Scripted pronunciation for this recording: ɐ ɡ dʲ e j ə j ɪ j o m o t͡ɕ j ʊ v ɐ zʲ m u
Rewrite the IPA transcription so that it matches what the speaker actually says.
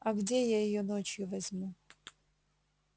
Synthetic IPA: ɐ ɡ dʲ e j a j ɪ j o n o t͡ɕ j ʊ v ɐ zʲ m u